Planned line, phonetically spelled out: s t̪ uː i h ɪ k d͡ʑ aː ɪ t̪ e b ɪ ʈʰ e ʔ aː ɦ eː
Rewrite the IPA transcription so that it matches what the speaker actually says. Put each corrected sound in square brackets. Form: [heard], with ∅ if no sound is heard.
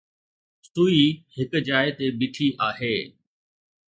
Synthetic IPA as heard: s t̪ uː i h ɪ k d͡ʑ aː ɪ t̪ e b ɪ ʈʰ [i] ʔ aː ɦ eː